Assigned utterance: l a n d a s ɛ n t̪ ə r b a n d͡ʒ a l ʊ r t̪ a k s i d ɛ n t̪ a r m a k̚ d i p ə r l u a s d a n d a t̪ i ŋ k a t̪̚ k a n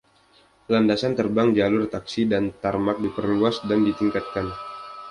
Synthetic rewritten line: l a n d a s a n t̪ ə r b a ŋ d͡ʒ a l ʊ r t̪ a k s i d a n t̪ a r m a k̚ d i p ə r l u a s d a n d i t̪ i ŋ k a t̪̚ k a n